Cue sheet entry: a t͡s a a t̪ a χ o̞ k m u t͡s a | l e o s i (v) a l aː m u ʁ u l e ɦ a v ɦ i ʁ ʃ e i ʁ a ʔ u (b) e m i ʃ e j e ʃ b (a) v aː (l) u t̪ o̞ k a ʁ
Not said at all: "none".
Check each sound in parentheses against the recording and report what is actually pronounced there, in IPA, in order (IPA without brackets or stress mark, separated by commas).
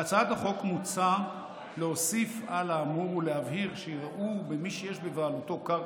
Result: f, b, e, l